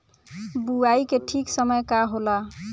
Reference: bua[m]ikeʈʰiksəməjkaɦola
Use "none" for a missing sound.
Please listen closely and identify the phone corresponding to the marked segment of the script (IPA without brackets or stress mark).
none